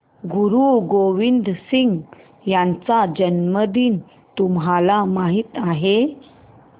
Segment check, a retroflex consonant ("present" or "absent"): absent